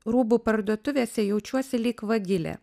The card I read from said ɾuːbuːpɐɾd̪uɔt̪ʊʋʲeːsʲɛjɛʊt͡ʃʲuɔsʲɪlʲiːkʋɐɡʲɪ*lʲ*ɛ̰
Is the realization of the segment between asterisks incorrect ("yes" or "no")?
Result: no